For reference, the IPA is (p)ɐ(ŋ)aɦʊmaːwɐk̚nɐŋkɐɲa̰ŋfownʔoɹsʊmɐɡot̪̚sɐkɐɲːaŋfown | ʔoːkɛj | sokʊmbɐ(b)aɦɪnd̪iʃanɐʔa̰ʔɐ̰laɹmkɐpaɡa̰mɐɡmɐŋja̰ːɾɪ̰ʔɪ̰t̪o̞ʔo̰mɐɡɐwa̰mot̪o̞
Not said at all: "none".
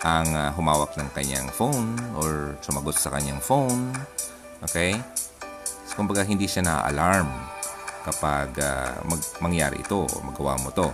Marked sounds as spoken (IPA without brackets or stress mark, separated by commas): ʔ, ŋ, ɡ